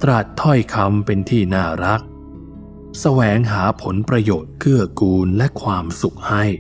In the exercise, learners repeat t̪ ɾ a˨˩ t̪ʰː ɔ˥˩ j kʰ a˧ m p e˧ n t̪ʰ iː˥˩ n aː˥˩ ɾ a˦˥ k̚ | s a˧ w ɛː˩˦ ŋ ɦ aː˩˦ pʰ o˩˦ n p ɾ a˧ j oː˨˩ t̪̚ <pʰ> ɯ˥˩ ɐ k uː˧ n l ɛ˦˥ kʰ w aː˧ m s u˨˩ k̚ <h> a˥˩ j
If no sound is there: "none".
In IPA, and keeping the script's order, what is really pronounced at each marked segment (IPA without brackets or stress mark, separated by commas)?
kʰ, h